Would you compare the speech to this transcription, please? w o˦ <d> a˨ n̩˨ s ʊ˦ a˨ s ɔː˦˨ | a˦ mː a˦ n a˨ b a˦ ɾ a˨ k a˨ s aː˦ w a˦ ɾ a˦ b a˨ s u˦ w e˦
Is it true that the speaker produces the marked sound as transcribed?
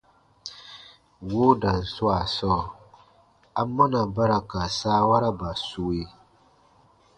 yes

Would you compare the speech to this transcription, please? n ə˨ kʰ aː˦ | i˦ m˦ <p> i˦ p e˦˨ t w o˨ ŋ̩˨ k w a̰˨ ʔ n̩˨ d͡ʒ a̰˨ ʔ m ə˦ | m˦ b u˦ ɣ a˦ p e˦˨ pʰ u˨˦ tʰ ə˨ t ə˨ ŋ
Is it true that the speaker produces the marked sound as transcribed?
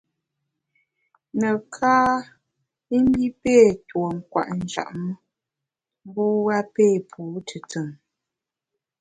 no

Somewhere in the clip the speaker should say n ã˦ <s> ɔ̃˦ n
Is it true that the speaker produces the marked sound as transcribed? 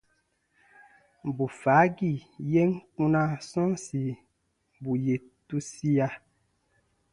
yes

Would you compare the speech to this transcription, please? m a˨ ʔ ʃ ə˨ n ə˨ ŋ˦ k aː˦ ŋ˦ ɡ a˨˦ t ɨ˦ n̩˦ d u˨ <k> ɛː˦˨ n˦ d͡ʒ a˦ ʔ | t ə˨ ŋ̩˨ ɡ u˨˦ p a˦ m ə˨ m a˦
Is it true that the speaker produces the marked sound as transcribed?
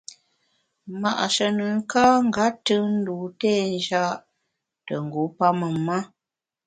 no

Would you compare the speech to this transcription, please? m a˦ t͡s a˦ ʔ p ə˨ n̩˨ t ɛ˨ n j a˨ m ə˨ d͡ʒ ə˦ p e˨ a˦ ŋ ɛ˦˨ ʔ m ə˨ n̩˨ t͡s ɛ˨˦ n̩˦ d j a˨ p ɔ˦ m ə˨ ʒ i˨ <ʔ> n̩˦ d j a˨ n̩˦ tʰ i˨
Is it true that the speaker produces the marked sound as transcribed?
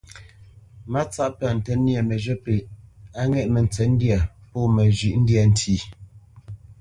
yes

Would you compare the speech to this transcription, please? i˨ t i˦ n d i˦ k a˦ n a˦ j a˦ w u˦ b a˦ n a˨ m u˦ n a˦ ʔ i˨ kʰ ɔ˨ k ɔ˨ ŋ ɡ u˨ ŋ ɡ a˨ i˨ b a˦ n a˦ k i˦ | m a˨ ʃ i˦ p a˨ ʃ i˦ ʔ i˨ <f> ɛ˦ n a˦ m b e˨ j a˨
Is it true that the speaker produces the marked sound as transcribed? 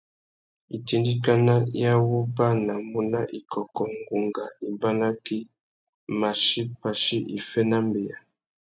yes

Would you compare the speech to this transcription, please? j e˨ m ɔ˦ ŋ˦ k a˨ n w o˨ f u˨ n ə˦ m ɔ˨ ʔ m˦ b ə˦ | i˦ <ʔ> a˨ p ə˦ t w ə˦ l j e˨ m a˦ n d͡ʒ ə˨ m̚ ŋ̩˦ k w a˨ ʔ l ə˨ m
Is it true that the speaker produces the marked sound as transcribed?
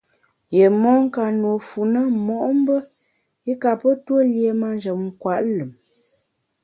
no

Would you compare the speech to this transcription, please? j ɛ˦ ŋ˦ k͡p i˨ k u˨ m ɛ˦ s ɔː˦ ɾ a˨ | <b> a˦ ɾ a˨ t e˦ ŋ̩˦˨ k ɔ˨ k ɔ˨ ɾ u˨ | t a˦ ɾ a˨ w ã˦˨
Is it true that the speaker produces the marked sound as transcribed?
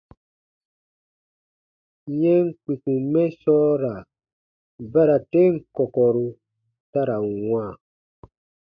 yes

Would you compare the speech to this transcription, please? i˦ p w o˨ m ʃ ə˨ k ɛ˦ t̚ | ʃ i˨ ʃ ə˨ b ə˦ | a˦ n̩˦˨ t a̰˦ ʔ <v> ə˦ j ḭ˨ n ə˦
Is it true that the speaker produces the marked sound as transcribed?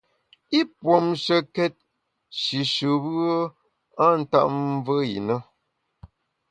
yes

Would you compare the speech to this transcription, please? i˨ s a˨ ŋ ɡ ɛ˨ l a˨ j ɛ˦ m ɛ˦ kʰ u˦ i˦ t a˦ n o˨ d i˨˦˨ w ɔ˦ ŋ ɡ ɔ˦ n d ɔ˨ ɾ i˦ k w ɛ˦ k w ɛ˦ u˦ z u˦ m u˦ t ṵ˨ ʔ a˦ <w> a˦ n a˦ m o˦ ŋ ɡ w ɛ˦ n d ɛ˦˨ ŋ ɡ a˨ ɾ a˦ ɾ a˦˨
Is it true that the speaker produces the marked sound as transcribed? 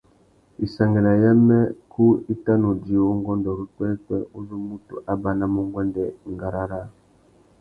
no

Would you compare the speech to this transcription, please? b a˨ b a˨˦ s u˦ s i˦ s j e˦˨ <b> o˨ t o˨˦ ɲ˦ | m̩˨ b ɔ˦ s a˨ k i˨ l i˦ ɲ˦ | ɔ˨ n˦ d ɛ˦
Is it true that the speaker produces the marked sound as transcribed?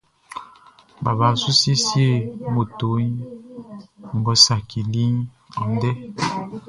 no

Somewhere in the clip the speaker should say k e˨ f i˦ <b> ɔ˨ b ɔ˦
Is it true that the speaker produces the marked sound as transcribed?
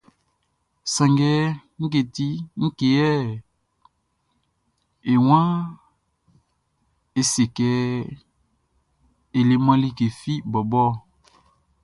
yes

